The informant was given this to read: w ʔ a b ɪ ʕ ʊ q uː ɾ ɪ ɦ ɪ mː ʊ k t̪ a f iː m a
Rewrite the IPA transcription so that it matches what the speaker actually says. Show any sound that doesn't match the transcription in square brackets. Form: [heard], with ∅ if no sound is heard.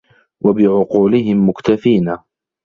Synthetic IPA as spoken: w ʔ a b ɪ ʕ ʊ q uː [l] ɪ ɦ ɪ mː ʊ k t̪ a f iː [n] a